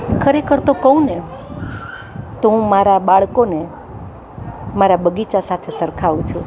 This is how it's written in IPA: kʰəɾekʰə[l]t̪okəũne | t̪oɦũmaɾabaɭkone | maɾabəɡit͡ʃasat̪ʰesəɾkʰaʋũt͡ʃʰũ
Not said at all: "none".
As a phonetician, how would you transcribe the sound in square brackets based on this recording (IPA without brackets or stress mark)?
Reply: ɾ